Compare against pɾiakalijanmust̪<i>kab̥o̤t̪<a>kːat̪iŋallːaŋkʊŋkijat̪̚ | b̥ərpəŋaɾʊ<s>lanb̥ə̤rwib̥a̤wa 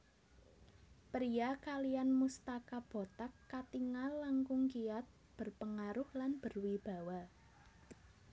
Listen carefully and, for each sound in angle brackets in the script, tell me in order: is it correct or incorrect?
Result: incorrect: a, correct, incorrect: h

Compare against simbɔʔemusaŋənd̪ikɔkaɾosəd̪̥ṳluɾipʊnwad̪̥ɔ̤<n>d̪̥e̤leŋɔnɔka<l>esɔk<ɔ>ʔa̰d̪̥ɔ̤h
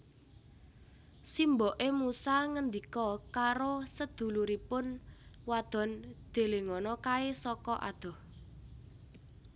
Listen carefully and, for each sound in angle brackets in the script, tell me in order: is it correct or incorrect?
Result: correct, incorrect: none, correct

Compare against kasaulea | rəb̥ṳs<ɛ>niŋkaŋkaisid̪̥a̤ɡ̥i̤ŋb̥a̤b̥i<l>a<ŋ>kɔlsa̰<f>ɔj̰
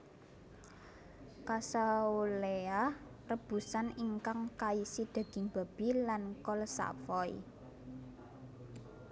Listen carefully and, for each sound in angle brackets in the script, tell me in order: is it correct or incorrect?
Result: incorrect: a, correct, incorrect: n, correct

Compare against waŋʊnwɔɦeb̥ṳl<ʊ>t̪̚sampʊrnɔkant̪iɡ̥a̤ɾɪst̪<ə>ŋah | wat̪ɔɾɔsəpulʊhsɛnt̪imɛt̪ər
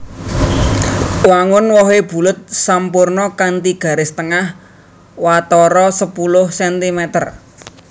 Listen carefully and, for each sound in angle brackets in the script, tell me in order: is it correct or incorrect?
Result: correct, correct

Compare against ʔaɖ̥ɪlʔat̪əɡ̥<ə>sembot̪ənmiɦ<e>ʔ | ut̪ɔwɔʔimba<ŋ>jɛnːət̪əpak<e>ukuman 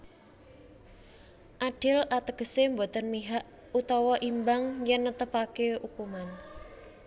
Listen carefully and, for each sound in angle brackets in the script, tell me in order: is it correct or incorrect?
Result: correct, incorrect: a, correct, correct

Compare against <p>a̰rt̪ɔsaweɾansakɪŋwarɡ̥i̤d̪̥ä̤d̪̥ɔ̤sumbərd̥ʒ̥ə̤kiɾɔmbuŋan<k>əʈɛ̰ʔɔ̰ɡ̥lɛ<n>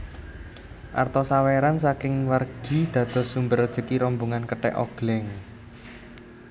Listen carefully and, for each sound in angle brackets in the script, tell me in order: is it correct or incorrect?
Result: incorrect: ʔ, correct, incorrect: ŋ

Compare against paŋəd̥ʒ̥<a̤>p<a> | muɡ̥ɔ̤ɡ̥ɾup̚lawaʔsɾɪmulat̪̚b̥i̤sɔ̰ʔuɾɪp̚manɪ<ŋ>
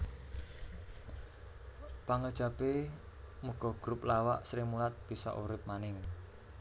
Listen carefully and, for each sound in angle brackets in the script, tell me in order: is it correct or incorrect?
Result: correct, incorrect: e, correct

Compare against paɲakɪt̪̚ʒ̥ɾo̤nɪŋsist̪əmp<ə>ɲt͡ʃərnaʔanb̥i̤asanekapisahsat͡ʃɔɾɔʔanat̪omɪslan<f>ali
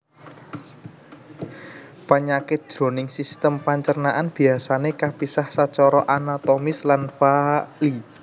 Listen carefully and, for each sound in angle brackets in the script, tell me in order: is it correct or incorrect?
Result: incorrect: a, correct

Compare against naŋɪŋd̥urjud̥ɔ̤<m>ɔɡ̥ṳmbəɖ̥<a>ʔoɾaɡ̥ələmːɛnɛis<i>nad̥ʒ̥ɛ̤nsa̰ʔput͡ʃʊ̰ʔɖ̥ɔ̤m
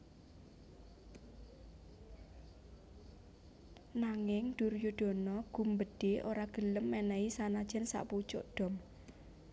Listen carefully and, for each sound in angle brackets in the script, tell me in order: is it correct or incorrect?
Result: incorrect: n, incorrect: e, incorrect: a

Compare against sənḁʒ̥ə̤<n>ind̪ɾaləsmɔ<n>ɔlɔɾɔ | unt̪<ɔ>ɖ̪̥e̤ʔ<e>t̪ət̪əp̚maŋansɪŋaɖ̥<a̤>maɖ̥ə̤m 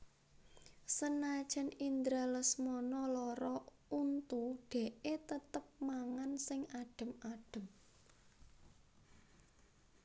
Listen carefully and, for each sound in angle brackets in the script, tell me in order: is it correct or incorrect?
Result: correct, correct, incorrect: u, correct, incorrect: ə̤

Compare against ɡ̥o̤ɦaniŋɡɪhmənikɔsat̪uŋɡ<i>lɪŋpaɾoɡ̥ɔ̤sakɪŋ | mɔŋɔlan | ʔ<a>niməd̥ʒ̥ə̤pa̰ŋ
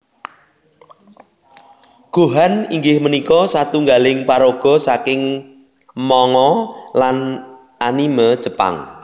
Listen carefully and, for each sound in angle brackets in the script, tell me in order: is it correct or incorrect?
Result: incorrect: a, correct

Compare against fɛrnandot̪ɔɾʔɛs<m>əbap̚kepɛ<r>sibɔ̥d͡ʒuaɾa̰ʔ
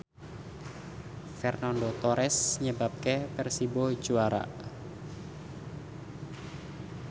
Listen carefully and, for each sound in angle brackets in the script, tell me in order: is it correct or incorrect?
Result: incorrect: ɲ, correct

